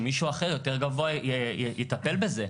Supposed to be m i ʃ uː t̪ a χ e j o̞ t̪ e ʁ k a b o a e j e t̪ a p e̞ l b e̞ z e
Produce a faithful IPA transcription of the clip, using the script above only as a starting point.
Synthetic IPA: m i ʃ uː a χ e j o̞ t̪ e ʁ ɡ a v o a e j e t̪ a p e̞ l b e̞ z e